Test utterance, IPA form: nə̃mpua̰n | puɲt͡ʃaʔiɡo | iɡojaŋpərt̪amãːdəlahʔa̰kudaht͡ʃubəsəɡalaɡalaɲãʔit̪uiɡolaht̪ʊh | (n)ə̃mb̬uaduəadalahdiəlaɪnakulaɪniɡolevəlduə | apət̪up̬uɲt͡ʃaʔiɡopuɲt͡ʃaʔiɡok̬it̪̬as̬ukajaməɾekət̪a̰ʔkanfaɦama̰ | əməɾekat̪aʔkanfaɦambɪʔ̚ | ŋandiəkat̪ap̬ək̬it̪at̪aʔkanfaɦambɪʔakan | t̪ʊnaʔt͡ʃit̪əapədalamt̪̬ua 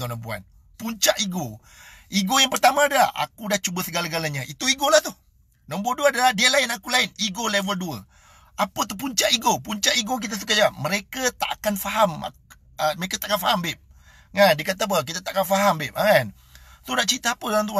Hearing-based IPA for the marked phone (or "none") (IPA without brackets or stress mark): n